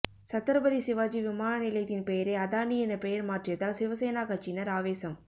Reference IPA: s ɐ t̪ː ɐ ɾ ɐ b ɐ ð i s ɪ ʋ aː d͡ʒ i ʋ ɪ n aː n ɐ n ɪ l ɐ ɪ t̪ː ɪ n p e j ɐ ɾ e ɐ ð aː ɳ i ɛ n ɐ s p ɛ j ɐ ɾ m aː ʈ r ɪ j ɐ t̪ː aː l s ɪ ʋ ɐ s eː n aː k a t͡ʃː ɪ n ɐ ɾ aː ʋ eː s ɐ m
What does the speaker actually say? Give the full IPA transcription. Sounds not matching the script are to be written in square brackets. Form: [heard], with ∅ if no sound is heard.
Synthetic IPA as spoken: s ɐ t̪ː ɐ ɾ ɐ b ɐ ð i s ɪ ʋ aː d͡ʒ i ʋ ɪ [m] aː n ɐ n ɪ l ɐ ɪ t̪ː ɪ n p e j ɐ ɾ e ɐ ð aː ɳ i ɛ n ɐ [∅] p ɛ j ɐ ɾ m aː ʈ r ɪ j ɐ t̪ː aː l s ɪ ʋ ɐ s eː n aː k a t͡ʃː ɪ n ɐ ɾ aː ʋ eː s ɐ m

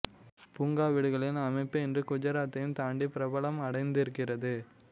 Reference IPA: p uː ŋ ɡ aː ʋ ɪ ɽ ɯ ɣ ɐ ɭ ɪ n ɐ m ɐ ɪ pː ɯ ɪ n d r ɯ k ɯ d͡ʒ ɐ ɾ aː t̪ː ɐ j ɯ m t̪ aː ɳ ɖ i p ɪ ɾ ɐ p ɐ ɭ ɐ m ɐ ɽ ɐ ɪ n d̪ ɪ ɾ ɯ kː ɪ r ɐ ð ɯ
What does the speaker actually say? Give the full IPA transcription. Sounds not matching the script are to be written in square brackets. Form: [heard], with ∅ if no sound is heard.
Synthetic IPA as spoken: p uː ŋ ɡ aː ʋ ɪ ɽ ɯ ɣ ɐ ɭ ɪ n ɐ m ɐ ɪ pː ɯ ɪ n d r ɯ k [ʊ] d͡ʒ ɐ ɾ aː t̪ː ɐ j ɯ m t̪ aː ɳ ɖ i p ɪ ɾ ɐ [b] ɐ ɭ ɐ m ɐ ɽ ɐ ɪ n d̪ ɪ ɾ ɯ kː ɪ r ɐ ð ɯ

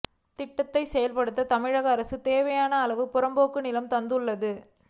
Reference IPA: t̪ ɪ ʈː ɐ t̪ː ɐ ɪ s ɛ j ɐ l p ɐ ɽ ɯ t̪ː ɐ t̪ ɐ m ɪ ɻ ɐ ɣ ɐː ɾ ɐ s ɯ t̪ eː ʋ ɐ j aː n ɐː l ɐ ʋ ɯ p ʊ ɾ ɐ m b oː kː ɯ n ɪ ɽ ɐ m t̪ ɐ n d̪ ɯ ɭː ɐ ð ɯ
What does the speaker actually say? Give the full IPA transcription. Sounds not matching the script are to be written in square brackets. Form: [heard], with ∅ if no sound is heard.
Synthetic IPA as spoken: t̪ ɪ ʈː ɐ t̪ː ɐ ɪ s ɛ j ɐ l p ɐ ɽ ɯ t̪ː ɐ t̪ ɐ m ɪ ɻ ɐ ɣ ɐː ɾ ɐ s ɯ t̪ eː ʋ ɐ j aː n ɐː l ɐ ʋ ɯ p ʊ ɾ ɐ m b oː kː ɯ n ɪ [l] ɐ m t̪ ɐ n d̪ ɯ ɭː ɐ ð ɯ

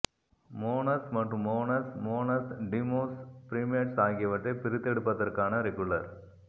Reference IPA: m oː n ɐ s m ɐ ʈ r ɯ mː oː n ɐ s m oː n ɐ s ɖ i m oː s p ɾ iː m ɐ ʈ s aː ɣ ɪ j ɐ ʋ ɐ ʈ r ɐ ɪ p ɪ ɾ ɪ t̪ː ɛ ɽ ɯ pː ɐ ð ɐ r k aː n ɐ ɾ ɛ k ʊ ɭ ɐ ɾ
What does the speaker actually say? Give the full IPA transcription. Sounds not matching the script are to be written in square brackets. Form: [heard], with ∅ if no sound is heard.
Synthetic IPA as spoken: m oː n ɐ s m ɐ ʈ r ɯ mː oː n ɐ s m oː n ɐ s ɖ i m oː s p ɾ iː m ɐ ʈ s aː ɣ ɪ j ɐ ʋ ɐ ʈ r ɐ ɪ p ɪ ɾ ɪ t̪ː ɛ ɽ ɯ pː ɐ ð ɐ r k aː n ɐ ɾ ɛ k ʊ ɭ ɐ ɾ

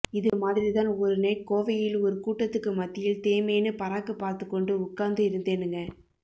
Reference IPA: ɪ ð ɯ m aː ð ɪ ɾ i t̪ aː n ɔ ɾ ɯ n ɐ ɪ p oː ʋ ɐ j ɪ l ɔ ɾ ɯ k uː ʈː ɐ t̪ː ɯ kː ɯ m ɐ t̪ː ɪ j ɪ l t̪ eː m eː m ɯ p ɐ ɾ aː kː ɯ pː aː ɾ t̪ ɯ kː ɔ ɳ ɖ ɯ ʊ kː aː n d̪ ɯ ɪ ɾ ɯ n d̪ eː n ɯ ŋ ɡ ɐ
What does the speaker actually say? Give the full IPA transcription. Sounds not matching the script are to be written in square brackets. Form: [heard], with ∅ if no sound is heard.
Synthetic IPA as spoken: ɪ ð ɯ m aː ð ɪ ɾ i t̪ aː n ɔ ɾ ɯ n ɐ ɪ [k] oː ʋ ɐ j ɪ l ɔ ɾ ɯ k uː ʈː ɐ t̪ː ɯ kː ɯ m ɐ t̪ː ɪ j ɪ l t̪ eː m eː [n] ɯ p ɐ ɾ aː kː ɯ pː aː ɾ t̪ ɯ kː ɔ ɳ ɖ ɯ ʊ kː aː n d̪ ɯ ɪ ɾ ɯ n d̪ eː n ɯ ŋ ɡ ɐ

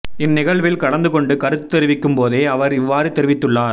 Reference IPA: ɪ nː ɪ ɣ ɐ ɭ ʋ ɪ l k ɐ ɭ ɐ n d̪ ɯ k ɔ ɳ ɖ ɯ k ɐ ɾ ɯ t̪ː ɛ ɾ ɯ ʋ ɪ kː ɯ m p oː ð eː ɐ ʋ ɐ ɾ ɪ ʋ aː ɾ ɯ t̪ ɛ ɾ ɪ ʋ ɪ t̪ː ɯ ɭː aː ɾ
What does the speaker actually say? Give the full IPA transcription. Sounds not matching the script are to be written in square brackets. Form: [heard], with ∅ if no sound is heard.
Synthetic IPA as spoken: ɪ nː ɪ ɣ ɐ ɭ ʋ ɪ l k ɐ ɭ ɐ n d̪ ɯ k ɔ ɳ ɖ ɯ k ɐ ɾ ɯ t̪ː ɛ ɾ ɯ ʋ ɪ kː ɯ m p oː ð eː ɐ ʋ ɐ ɾ ɪ [ʋː] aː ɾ ɯ t̪ ɛ ɾ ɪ ʋ ɪ t̪ː ɯ ɭː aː ɾ

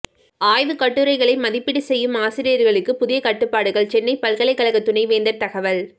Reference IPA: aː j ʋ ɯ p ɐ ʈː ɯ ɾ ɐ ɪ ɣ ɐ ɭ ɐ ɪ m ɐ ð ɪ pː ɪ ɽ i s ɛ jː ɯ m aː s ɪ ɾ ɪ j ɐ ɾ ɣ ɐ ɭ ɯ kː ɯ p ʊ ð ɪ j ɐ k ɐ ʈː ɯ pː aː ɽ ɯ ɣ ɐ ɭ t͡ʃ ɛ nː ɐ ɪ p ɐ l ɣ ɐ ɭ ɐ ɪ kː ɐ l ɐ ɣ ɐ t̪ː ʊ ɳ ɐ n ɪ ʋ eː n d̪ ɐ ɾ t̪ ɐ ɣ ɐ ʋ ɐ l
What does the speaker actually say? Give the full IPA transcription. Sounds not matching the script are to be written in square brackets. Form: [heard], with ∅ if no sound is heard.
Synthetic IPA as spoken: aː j ʋ ɯ [k] ɐ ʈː ɯ ɾ ɐ ɪ ɣ ɐ ɭ ɐ ɪ m ɐ ð ɪ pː ɪ ɽ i s ɛ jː ɯ m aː s ɪ ɾ ɪ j ɐ ɾ ɣ ɐ ɭ ɯ kː ɯ p ʊ ð ɪ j ɐ k ɐ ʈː ɯ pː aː ɽ ɯ ɣ ɐ ɭ t͡ʃ ɛ nː ɐ ɪ p ɐ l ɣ ɐ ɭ ɐ ɪ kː ɐ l ɐ ɣ ɐ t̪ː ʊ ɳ ɐ [∅] ɪ ʋ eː n d̪ ɐ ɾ t̪ ɐ ɣ ɐ ʋ ɐ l

